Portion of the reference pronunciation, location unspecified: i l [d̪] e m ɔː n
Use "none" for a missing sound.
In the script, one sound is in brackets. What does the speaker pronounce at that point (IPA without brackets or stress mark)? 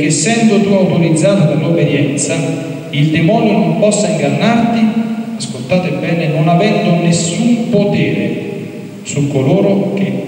d̪